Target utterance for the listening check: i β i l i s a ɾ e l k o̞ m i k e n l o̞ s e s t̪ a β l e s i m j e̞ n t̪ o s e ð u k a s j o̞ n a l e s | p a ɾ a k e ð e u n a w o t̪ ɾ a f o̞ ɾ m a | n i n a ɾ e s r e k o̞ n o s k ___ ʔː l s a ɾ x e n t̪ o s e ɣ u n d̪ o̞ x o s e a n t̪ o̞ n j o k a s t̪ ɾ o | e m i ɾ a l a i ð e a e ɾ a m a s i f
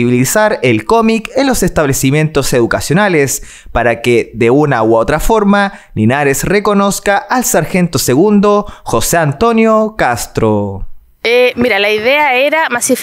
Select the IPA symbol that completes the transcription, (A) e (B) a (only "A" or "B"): B